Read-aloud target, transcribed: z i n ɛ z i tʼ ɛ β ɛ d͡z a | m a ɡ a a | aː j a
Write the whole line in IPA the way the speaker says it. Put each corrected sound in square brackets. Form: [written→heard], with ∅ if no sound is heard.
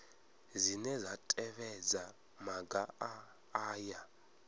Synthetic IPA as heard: z i n ɛ z [i→a] tʼ ɛ β ɛ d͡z a | m a ɡ a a | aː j a

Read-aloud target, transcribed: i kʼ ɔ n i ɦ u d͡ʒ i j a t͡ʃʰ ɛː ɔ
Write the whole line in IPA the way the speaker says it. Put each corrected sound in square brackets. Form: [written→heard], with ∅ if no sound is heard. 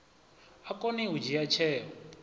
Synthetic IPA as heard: [i→a] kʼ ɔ n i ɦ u d͡ʒ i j a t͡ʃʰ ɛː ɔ

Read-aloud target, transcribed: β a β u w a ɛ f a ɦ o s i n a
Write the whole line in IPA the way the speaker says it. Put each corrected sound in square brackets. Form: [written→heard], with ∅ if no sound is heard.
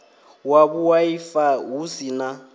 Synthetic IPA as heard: [β→w] a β u w a [ɛ→i] f a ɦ [o→u] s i n a

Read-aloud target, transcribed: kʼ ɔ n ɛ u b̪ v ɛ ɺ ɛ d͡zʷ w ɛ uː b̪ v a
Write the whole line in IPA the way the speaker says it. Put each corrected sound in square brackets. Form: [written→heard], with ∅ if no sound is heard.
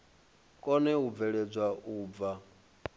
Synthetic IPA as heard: kʼ ɔ n ɛ u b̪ v ɛ ɺ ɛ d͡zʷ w [ɛ→a] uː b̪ v a

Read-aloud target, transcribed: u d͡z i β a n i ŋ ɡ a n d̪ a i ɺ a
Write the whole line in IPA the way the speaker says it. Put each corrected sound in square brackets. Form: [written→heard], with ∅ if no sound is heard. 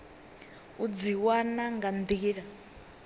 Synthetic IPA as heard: u d͡z i [β→w] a n [i→a] ŋ ɡ a n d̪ [a→i] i ɺ a

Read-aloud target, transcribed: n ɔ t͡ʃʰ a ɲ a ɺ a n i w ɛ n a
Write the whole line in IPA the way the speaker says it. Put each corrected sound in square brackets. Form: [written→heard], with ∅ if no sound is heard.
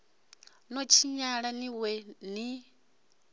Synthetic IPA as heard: n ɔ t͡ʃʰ [a→i] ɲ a ɺ a n i w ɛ n [a→i]

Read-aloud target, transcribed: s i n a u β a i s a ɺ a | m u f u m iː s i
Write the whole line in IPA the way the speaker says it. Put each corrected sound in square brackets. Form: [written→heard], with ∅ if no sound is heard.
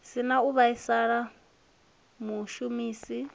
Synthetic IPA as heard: s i n a u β a i s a ɺ a | m u [f→ʃ] u m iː s i

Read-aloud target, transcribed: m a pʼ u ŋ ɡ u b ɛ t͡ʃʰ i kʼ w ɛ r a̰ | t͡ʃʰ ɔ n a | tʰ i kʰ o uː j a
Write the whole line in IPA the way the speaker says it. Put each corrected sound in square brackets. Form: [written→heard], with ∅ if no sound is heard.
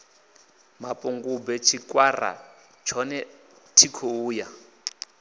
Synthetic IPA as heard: m a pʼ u ŋ ɡ u b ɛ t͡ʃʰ i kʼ w [ɛ→a] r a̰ | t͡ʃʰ ɔ n [a→ɛ] | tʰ i kʰ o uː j a

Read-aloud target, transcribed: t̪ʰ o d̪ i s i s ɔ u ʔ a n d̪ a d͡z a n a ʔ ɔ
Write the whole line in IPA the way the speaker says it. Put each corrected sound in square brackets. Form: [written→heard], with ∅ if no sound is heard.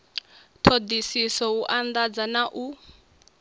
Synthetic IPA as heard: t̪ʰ o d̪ i s i s ɔ u ʔ a n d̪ a d͡z a n a ʔ [ɔ→u]

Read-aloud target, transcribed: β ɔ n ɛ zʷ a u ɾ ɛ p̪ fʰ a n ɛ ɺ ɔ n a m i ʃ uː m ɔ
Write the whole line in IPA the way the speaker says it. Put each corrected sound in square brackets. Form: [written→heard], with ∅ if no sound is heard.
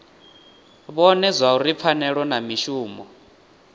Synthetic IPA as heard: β ɔ n ɛ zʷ a u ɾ [ɛ→i] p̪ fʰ a n ɛ ɺ ɔ n a m i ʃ uː m ɔ

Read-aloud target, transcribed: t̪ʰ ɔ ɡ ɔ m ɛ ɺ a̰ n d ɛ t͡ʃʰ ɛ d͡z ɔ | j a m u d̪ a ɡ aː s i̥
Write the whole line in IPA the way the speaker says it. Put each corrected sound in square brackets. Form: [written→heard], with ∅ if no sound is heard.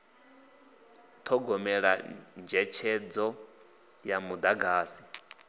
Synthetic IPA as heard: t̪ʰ ɔ ɡ ɔ m ɛ ɺ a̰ n [d→d͡ʒ] ɛ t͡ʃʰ ɛ d͡z ɔ | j a m u d̪ a ɡ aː s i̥

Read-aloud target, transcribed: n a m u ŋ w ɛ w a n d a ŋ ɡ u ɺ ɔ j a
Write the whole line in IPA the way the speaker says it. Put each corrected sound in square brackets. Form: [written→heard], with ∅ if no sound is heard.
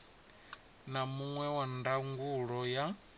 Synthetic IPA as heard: n a m u ŋ w ɛ w a n d a ŋ ɡ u ɺ ɔ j a

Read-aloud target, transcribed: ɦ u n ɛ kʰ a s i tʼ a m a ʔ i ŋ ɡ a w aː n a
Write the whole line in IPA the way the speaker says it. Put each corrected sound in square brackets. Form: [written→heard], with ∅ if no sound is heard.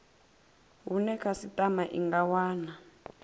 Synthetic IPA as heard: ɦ u n ɛ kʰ a s i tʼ a m a ʔ i ŋ ɡ a w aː n a

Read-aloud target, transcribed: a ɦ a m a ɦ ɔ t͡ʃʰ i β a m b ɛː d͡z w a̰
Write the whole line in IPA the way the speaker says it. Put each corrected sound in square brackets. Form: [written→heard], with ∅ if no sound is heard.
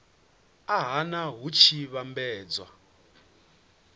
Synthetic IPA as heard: a ɦ a [m→n] a ɦ [ɔ→u] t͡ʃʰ i β a m b ɛː d͡z w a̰

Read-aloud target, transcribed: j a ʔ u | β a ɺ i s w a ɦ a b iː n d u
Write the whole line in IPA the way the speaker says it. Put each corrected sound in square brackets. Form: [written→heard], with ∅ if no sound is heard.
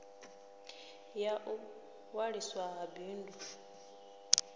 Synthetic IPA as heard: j a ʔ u | [β→w] a ɺ i s w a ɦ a b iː n d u

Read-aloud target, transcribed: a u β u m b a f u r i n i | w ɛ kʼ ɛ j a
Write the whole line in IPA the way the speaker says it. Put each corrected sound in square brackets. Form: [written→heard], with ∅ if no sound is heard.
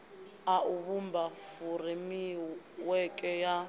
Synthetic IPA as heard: a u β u m b a f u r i [n→m] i | w ɛ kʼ ɛ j a

